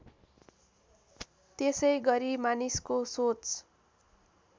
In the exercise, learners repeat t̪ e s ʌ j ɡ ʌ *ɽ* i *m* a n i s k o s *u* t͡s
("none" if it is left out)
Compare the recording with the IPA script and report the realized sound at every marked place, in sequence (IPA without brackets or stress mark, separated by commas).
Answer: ɾ, m, o